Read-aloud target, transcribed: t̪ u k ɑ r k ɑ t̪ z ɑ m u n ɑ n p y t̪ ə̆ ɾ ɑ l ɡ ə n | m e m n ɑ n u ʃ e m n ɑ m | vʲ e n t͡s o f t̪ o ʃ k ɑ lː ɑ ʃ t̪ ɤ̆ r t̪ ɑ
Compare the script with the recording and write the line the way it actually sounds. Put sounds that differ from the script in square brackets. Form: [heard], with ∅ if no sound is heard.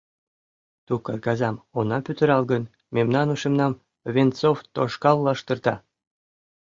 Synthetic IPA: t̪ u k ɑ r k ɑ [∅] z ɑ m [o] n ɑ [∅] p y t̪ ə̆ ɾ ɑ l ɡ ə n | m e m n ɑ n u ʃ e m n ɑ m | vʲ e n t͡s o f t̪ o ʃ k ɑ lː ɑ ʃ t̪ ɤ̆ r t̪ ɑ